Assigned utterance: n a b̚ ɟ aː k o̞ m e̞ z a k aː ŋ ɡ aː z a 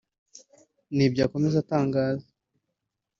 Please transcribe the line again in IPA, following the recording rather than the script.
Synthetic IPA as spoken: n i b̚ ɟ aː k o̞ m e̞ z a t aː ŋ ɡ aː z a